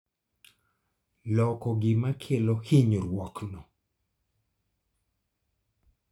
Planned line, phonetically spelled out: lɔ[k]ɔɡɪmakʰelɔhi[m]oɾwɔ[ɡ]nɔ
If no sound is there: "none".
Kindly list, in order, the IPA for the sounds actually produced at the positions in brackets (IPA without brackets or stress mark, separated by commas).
k, ɲ, k